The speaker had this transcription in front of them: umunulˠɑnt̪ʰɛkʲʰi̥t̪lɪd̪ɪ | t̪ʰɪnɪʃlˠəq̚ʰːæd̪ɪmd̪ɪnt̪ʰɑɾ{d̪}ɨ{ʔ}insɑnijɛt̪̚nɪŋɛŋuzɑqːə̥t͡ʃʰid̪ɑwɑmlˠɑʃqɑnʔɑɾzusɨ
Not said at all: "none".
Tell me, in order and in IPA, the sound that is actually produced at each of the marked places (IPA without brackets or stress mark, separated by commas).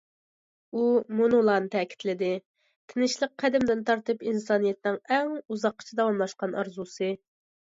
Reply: t̪, p